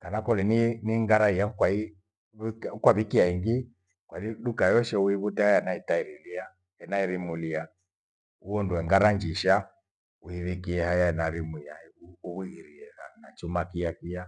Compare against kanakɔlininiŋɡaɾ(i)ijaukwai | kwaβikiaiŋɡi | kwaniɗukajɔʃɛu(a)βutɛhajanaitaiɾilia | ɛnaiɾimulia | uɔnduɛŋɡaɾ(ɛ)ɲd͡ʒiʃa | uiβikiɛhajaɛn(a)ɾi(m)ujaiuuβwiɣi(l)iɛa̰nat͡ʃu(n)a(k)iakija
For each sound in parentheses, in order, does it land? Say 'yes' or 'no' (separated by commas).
no, no, no, yes, yes, no, no, yes